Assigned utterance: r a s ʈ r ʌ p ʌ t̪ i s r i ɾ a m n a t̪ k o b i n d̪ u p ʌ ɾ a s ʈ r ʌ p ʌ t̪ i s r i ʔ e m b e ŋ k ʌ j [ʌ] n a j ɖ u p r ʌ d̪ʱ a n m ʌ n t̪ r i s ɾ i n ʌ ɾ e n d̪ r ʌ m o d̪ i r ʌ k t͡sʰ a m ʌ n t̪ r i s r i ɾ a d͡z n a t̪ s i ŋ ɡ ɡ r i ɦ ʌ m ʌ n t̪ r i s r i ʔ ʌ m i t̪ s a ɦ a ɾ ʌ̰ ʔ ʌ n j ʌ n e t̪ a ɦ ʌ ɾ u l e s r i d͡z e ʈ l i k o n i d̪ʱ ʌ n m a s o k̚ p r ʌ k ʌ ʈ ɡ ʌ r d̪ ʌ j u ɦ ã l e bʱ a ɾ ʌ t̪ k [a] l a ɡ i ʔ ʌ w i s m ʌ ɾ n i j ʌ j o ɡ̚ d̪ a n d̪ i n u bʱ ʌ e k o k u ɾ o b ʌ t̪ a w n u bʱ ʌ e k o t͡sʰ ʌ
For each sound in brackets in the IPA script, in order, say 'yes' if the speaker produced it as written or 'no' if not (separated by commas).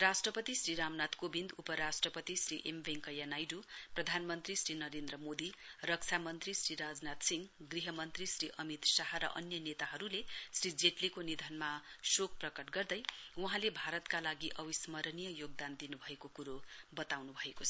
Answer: no, yes